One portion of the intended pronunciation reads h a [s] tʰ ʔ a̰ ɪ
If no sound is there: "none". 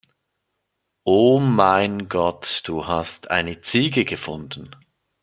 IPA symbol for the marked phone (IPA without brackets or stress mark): s